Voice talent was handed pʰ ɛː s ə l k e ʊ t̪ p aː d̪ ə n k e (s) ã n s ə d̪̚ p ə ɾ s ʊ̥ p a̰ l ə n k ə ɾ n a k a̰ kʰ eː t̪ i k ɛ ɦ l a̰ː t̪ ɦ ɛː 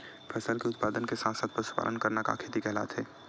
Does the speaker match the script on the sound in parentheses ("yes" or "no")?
yes